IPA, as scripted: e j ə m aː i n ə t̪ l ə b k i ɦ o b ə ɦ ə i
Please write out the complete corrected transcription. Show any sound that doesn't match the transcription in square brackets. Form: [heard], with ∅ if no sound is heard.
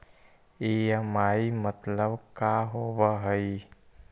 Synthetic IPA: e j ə m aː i [m] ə t̪ l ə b k [a] ɦ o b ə ɦ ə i